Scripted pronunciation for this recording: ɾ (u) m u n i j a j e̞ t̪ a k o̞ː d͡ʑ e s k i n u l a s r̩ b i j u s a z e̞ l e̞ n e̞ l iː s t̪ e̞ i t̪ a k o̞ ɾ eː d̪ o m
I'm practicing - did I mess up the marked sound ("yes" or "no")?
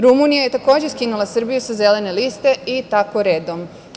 no